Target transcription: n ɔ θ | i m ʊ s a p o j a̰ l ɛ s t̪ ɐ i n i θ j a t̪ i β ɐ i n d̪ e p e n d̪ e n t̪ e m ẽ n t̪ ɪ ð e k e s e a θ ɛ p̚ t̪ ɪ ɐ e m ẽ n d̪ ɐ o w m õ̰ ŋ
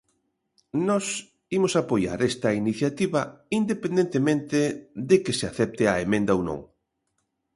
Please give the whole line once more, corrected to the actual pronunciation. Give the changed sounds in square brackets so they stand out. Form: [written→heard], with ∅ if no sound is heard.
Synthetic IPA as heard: n ɔ [θ→s] | i m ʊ s a p o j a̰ [l→ɾ] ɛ s t̪ ɐ i n i θ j a t̪ i β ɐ i n d̪ e p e n d̪ e n t̪ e m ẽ n t̪ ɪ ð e k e s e a θ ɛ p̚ t̪ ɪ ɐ e m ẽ n d̪ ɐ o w [m→n] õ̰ ŋ